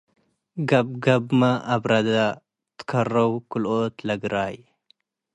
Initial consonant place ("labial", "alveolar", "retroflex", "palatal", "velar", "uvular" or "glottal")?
velar